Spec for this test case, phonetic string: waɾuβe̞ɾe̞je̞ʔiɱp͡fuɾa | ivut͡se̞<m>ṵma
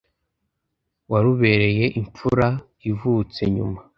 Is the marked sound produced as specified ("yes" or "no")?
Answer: no